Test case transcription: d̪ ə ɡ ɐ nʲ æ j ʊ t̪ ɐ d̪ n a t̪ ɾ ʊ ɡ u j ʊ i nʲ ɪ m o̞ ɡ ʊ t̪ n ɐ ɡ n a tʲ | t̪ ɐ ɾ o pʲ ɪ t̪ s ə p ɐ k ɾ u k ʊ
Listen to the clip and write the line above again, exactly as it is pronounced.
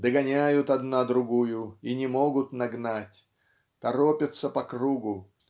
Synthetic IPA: d̪ ə ɡ ɐ nʲ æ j ʊ t̪ ɐ d̪ n a d̪ ɾ ʊ ɡ u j ʊ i nʲ ɪ m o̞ ɡ ʊ t̪ n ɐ ɡ n a tʲ | t̪ ɐ ɾ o pʲ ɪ t̪ s ə p ɐ k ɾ u ɡ ʊ